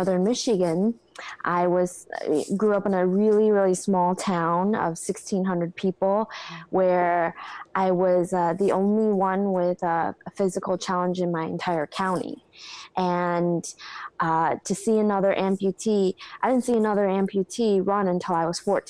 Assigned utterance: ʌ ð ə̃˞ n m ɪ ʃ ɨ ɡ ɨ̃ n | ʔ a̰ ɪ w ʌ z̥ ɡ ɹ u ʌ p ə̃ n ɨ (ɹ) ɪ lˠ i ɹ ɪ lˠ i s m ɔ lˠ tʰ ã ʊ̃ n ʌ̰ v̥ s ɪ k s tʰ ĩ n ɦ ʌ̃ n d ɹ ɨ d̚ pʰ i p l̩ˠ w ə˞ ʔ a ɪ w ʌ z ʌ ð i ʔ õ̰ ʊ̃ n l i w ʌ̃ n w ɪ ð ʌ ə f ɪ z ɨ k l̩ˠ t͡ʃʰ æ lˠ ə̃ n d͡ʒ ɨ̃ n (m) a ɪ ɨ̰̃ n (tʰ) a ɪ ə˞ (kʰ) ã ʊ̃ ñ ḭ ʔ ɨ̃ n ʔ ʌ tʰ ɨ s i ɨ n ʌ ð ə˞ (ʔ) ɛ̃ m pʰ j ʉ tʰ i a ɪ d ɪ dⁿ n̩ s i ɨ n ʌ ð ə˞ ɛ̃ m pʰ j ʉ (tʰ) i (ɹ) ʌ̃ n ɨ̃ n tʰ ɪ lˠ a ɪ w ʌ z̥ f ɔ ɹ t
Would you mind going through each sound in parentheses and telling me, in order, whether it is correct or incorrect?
correct, correct, correct, correct, correct, correct, correct

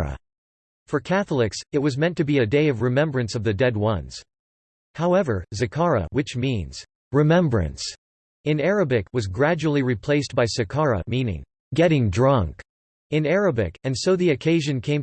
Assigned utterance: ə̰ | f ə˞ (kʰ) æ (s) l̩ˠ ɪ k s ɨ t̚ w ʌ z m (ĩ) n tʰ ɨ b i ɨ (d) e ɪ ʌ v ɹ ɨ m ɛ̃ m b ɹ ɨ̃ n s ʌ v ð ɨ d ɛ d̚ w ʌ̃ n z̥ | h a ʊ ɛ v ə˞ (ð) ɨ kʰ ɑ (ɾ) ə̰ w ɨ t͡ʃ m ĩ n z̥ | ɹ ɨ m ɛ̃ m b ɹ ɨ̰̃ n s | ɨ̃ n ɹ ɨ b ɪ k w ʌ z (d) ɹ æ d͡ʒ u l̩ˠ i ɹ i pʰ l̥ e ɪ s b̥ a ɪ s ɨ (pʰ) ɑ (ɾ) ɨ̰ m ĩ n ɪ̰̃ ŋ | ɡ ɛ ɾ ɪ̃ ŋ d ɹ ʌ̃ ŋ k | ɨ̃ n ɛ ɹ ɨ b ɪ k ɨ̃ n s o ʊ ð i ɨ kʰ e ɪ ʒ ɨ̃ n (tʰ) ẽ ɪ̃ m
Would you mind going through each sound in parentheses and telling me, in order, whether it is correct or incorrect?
correct, incorrect: θ, incorrect: ɛ̃, correct, incorrect: z, incorrect: ɹ, incorrect: ɡ, incorrect: kʰ, incorrect: ɹ, incorrect: kʰ

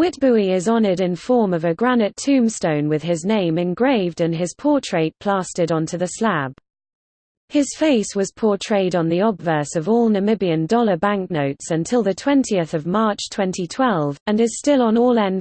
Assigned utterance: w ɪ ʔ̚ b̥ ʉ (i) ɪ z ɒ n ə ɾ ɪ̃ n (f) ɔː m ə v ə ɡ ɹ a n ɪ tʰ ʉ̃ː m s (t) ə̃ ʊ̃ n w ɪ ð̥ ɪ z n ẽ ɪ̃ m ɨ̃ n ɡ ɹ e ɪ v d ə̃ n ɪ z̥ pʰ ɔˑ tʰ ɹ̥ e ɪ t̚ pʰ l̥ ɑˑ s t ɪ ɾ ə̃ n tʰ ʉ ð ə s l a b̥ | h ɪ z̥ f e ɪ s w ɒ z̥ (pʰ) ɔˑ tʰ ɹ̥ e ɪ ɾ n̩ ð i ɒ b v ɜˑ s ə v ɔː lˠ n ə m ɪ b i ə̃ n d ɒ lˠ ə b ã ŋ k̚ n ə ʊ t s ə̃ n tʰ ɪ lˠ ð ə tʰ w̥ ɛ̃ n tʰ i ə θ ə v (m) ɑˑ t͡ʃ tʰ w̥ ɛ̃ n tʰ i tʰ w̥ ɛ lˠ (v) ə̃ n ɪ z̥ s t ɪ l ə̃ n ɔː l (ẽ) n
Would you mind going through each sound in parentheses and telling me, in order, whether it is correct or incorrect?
correct, correct, correct, correct, correct, correct, incorrect: ɛ̃

